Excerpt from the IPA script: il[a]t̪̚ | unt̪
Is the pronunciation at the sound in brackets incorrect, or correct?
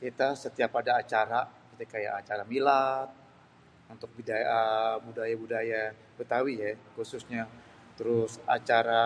correct